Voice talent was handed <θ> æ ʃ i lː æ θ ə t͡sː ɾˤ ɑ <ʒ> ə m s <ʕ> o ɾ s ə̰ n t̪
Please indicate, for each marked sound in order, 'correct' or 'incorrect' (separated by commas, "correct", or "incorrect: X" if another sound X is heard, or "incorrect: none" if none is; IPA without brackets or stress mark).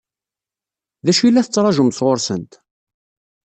incorrect: ð, correct, incorrect: ʁ